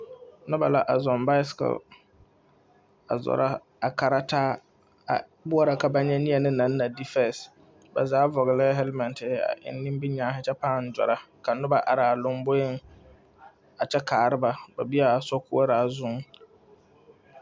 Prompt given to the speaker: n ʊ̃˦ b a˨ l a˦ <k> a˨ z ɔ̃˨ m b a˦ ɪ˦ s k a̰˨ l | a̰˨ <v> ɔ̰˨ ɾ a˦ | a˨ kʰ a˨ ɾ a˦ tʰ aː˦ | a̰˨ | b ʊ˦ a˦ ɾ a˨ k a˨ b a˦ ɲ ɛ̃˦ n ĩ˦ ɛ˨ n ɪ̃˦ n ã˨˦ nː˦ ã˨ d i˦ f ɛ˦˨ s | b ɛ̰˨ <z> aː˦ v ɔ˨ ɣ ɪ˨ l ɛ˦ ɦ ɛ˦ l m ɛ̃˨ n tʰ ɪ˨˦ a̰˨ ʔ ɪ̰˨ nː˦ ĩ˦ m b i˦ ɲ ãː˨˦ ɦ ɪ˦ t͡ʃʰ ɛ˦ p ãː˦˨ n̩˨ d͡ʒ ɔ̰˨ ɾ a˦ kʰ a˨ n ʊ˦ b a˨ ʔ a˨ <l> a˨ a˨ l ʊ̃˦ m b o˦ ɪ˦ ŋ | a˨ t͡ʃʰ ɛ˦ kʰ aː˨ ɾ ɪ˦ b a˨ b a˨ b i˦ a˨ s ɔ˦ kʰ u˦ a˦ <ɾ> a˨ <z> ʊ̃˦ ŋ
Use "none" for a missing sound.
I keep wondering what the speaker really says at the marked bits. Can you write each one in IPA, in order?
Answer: ʔ, z, z, ɾ, ɾ, z

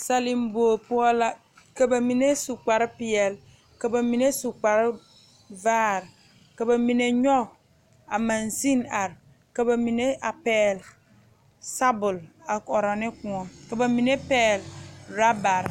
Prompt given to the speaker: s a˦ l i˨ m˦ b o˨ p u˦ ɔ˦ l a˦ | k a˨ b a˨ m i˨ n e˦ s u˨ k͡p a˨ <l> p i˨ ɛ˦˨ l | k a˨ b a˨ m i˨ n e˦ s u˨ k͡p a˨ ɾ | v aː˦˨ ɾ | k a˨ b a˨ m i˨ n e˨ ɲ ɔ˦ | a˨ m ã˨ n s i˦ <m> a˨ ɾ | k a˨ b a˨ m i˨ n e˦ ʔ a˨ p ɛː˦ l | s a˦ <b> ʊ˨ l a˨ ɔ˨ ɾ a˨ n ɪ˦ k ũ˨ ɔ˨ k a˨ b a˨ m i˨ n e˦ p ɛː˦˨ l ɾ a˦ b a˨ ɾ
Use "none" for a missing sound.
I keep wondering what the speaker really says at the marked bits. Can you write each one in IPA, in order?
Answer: ɾ, n, b

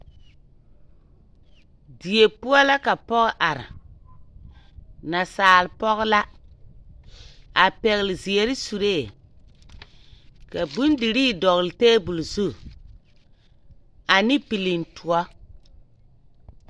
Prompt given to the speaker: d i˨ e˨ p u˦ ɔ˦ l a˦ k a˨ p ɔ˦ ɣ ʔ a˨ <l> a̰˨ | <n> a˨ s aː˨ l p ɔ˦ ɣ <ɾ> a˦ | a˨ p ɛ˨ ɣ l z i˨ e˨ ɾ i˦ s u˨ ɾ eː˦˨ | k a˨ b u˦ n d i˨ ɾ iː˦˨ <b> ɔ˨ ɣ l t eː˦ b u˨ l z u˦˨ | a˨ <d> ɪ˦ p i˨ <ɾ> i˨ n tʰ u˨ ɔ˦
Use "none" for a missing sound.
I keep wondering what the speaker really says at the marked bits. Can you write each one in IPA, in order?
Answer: ɾ, n, l, d, n, l

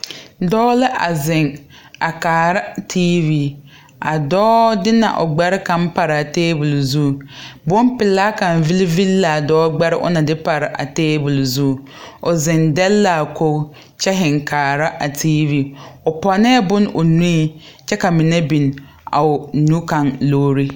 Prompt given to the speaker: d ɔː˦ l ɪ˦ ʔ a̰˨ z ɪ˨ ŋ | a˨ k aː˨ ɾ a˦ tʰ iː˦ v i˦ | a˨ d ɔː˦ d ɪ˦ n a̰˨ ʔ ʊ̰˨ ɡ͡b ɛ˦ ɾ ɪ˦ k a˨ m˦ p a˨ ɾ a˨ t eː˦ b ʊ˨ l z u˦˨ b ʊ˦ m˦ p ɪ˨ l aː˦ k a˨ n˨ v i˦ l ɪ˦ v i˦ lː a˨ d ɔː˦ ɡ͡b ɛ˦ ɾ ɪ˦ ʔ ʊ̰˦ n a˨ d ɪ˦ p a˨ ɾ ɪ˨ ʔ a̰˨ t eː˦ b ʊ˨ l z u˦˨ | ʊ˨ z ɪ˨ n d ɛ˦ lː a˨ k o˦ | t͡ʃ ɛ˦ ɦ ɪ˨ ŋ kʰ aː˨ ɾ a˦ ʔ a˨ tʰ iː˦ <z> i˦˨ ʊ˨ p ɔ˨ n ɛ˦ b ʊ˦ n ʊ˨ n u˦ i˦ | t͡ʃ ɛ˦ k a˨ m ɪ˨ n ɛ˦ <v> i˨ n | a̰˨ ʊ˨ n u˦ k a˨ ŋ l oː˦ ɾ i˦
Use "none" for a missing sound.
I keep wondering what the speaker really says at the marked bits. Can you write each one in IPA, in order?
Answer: v, b

